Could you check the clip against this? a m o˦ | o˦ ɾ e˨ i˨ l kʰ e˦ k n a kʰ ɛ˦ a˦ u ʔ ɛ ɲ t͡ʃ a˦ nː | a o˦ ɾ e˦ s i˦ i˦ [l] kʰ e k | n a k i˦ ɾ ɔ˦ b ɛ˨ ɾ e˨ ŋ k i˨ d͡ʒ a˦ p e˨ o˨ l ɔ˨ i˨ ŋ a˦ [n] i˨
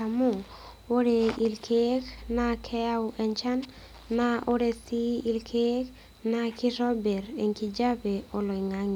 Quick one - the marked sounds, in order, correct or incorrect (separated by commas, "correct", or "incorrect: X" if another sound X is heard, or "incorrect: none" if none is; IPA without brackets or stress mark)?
correct, incorrect: ŋ